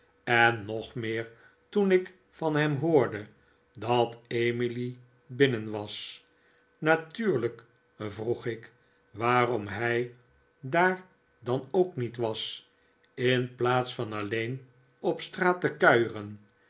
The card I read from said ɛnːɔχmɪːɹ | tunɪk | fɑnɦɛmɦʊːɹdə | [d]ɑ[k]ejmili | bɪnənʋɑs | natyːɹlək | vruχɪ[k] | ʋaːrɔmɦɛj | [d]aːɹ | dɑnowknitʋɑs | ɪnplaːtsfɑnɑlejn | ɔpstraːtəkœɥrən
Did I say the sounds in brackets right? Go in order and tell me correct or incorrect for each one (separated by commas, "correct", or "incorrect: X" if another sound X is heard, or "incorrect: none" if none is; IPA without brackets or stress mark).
correct, incorrect: t, correct, correct